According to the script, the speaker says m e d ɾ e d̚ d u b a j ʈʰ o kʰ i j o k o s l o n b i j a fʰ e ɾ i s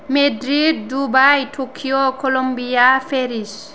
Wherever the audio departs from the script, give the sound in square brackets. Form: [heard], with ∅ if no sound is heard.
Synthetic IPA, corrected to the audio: m e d ɾ [i] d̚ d u b a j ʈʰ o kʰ i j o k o [∅] l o [m] b i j a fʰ e ɾ i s